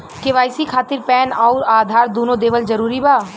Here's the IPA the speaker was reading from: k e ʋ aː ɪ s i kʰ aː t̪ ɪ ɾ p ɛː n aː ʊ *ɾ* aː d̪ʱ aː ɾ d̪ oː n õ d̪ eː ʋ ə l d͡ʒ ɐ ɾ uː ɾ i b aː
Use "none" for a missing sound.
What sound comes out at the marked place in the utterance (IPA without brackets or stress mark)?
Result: ɾ